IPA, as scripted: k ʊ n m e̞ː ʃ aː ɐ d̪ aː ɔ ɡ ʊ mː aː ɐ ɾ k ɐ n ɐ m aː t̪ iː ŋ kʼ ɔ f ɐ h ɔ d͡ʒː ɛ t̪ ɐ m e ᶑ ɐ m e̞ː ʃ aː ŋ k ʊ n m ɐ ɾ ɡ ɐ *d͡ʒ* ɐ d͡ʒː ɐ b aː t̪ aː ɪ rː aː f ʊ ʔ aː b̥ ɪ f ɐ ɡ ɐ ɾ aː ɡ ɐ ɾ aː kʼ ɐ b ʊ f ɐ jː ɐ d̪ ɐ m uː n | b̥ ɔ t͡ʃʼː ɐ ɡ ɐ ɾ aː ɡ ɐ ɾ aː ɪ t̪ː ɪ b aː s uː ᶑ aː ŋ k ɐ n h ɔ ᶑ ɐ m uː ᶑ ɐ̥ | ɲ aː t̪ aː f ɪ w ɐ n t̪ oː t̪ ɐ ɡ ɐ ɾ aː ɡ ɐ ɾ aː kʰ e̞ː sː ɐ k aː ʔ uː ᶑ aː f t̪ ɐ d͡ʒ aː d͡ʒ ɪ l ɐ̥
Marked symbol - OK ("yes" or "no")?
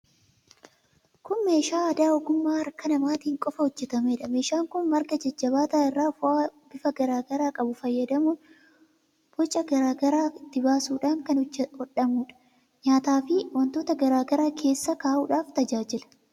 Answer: yes